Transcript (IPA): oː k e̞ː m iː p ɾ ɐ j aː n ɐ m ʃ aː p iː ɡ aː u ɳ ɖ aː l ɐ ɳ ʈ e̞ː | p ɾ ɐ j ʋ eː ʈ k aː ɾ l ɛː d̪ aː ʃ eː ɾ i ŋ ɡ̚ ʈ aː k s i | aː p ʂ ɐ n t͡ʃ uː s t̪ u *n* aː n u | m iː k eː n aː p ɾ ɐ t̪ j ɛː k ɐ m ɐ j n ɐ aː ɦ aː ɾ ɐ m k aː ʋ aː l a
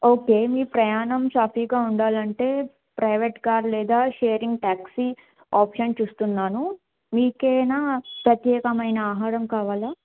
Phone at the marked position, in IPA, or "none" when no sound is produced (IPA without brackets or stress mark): nː